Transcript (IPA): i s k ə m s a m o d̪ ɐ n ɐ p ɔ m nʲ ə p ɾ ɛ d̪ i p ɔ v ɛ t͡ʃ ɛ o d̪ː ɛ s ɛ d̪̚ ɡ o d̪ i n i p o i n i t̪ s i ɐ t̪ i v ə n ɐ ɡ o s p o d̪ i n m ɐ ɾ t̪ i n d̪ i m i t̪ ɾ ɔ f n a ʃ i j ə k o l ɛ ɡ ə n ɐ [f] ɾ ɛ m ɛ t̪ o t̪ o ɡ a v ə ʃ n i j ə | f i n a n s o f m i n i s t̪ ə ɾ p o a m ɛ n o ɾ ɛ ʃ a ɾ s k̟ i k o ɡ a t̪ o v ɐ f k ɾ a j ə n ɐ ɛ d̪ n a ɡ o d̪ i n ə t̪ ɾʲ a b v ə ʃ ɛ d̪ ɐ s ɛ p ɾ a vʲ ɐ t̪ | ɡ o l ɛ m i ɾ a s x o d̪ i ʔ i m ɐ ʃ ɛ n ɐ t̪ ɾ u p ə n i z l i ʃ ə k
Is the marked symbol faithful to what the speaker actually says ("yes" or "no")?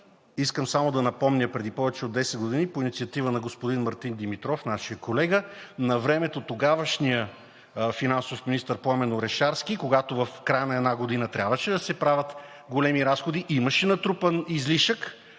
no